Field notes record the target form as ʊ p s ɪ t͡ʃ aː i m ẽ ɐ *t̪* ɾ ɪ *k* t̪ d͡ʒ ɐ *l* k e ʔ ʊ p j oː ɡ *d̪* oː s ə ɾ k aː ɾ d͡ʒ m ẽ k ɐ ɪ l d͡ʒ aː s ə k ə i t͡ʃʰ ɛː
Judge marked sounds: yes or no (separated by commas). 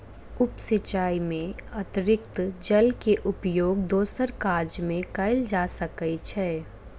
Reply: yes, yes, yes, yes